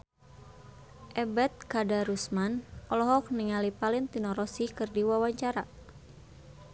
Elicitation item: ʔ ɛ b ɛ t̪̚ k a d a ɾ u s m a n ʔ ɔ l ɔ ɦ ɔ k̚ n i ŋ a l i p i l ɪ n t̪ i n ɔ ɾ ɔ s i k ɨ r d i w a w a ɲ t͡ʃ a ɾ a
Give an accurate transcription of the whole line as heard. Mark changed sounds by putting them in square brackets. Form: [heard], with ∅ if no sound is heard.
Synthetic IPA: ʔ ɛ b ɛ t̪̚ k a d a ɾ u s m a n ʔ ɔ l ɔ ɦ ɔ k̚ n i ŋ a l i p [a] l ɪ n t̪ i n ɔ ɾ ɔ s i k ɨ r d i w a w a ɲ t͡ʃ a ɾ a